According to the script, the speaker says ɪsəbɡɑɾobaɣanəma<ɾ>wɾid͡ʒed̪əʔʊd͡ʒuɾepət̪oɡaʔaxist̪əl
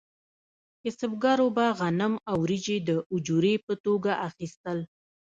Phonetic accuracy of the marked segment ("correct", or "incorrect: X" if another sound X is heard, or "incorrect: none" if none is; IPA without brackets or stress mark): incorrect: none